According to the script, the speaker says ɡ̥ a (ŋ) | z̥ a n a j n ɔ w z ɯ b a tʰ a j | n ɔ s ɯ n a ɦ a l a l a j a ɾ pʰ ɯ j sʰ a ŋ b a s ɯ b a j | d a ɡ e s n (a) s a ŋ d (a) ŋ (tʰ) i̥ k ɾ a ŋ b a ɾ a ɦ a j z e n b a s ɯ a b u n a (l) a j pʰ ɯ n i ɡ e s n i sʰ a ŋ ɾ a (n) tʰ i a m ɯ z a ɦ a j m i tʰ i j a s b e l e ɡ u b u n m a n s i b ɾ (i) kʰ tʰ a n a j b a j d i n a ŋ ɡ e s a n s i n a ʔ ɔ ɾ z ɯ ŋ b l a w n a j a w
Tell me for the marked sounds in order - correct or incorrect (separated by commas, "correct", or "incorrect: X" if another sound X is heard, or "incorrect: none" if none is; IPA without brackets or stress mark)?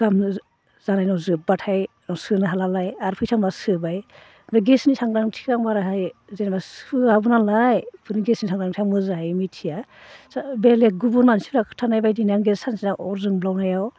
incorrect: m, incorrect: i, correct, correct, correct, incorrect: ŋ, incorrect: a